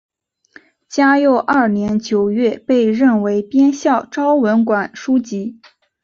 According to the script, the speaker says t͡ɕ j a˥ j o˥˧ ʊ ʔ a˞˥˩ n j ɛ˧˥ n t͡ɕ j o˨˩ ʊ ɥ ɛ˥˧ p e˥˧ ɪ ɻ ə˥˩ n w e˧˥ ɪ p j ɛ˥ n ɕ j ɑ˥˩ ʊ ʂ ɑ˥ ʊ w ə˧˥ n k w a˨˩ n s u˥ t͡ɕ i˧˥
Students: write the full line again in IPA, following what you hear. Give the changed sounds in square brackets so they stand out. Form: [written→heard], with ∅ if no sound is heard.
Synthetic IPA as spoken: t͡ɕ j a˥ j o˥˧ ʊ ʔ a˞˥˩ n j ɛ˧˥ n t͡ɕ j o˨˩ ʊ ɥ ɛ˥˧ p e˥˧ ɪ ɻ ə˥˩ n w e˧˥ ɪ p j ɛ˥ n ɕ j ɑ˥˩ ʊ [ʂ→ʈ͡ʂ] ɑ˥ ʊ w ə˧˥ n k w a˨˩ n [s→ʂ] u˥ t͡ɕ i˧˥